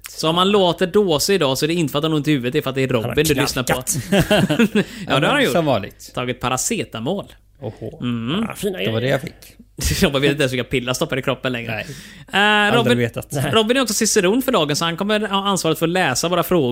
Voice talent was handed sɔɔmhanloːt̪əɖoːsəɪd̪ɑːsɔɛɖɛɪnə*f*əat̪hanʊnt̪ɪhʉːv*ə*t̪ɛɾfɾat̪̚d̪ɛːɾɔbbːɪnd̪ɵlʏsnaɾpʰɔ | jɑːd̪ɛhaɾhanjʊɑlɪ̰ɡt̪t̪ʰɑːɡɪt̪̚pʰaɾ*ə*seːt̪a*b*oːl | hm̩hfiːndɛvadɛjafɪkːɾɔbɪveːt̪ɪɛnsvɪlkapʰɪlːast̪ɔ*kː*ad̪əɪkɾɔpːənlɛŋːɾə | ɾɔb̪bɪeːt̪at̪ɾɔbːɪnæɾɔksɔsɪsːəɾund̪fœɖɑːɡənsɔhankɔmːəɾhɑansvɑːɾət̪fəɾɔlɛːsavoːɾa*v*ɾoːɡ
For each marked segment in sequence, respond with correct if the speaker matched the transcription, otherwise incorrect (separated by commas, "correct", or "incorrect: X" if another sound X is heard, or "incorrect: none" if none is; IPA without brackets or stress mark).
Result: correct, correct, incorrect: a, incorrect: m, incorrect: pː, incorrect: f